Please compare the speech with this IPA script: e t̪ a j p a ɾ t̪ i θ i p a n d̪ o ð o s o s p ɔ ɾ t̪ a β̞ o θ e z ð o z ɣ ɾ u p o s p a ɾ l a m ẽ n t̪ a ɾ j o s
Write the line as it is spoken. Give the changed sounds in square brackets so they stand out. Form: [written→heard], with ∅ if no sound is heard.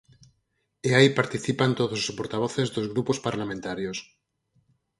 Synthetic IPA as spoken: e [t̪→∅] a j p a ɾ t̪ i θ i p a n [d̪→t̪] o ð o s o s p [ɔ→o] ɾ t̪ a β̞ o θ e z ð o z ɣ ɾ u p o s p a ɾ l a m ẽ n t̪ a ɾ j o s